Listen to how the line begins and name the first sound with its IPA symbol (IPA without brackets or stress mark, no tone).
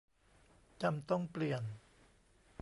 t͡ɕ